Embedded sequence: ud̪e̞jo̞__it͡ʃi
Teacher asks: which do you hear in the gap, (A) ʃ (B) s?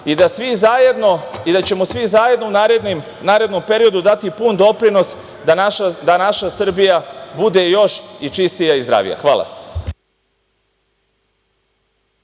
A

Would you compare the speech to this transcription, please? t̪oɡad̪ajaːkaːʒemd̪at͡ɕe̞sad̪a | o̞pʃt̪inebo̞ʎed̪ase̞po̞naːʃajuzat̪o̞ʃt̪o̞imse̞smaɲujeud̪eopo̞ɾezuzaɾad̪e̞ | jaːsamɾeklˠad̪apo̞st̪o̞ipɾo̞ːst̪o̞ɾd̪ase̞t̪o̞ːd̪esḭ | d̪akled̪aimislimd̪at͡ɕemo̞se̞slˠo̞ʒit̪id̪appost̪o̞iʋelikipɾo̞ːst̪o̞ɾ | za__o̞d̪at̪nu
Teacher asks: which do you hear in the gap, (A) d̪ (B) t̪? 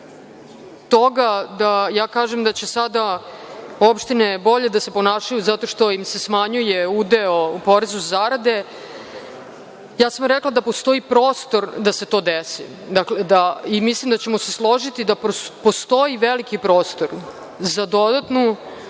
A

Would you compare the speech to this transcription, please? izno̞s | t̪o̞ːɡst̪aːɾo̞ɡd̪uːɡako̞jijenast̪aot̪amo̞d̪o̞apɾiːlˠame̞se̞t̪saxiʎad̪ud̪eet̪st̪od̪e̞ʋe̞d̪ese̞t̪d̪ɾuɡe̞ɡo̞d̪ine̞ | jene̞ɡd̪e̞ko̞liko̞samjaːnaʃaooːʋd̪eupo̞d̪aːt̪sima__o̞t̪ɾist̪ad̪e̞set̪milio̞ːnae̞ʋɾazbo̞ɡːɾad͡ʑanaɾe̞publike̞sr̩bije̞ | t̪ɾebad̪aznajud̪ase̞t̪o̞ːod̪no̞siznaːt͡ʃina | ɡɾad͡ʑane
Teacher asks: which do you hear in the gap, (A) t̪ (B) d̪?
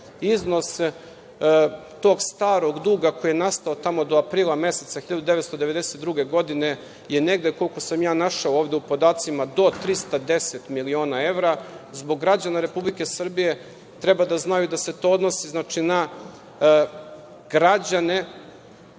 B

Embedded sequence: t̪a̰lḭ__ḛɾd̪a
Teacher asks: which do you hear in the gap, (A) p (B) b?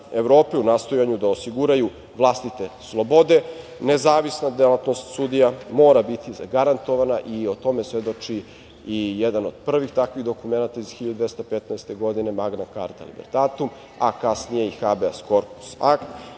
B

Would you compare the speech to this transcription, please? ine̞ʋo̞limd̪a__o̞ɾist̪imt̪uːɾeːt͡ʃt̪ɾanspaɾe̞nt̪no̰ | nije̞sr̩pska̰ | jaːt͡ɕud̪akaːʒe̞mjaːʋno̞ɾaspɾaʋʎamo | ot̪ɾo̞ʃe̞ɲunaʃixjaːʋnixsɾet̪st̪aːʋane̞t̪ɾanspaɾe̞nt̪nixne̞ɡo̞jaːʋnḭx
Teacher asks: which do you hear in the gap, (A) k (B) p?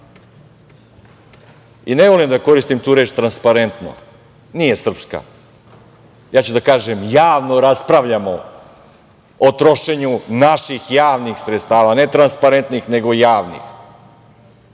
A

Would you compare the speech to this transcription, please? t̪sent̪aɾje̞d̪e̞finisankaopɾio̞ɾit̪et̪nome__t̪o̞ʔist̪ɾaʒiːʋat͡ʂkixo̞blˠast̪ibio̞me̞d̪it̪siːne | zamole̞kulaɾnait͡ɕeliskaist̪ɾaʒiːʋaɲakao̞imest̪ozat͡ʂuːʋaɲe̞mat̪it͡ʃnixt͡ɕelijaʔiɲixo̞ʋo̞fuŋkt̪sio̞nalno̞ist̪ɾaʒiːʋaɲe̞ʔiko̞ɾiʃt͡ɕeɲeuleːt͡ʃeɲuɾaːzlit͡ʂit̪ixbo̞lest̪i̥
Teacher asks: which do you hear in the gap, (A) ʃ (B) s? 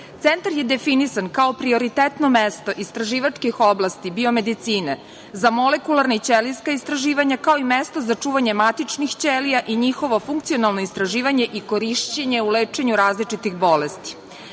B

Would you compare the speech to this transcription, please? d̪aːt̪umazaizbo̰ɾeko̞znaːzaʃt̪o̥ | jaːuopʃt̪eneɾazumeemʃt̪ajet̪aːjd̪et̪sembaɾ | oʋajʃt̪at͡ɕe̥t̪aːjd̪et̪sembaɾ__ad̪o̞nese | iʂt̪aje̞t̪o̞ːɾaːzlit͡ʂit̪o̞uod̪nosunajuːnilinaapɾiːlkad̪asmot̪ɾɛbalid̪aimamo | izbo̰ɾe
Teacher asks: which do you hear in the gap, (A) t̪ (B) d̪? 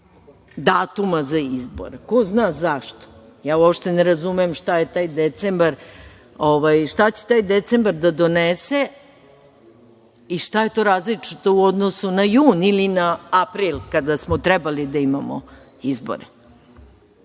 B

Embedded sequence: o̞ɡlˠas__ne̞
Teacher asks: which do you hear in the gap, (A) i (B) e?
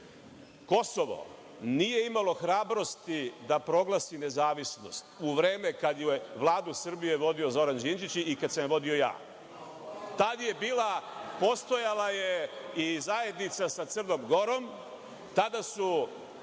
A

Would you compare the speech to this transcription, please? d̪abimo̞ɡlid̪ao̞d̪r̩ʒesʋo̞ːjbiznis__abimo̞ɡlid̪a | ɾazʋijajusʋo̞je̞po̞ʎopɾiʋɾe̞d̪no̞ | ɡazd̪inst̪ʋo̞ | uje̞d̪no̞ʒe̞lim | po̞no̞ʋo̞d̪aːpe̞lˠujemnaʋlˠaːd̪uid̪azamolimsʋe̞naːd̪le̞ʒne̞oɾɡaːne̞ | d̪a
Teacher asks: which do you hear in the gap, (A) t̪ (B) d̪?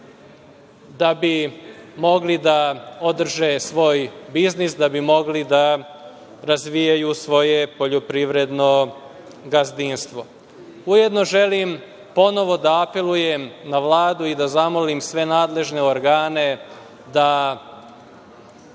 B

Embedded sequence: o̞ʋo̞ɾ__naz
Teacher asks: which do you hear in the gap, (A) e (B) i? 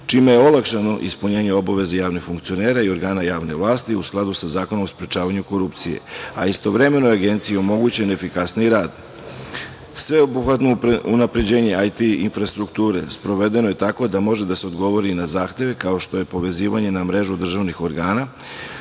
B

